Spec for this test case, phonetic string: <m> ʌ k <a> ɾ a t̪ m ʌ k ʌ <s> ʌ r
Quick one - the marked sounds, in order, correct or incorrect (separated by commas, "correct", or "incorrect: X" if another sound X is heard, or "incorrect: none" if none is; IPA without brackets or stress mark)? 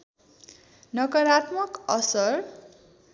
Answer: incorrect: n, incorrect: ʌ, correct